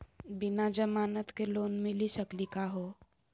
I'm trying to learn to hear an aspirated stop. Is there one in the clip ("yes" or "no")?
no